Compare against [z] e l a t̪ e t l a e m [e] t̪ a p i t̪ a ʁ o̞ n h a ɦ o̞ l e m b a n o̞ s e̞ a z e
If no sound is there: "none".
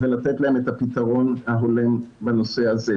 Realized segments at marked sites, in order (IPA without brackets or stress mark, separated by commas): v, e